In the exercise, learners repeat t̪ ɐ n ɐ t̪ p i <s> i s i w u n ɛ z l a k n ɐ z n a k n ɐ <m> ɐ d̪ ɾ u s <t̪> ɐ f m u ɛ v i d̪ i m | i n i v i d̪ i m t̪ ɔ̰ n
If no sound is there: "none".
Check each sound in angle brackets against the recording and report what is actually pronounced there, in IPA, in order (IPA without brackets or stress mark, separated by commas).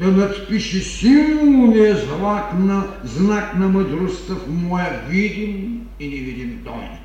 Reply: ʃ, m, t̪